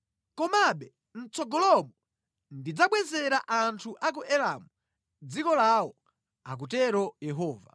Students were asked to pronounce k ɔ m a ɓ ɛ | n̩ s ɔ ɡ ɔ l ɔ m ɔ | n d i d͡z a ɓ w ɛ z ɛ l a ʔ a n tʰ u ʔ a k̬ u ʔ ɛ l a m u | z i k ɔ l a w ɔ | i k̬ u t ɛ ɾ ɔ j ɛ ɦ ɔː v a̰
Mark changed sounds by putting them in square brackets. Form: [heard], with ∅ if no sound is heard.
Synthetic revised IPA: k ɔ m a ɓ ɛ | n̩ [t͡s] ɔ ɡ ɔ l ɔ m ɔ | n d i d͡z a ɓ w ɛ z ɛ [ɾ] a ʔ a n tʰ u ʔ a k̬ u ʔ ɛ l a m u | [d͡z] i k ɔ l a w ɔ | [a] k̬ u t ɛ ɾ ɔ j ɛ ɦ ɔː v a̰